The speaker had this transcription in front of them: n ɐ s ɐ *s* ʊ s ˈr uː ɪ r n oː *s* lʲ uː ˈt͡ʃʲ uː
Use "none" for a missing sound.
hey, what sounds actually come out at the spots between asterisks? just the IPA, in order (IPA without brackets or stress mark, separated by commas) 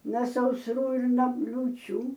none, none